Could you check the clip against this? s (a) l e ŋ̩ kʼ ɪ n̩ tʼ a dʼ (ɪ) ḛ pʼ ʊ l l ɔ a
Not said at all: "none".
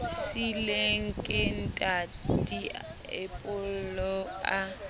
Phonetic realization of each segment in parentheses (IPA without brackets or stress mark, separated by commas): i, i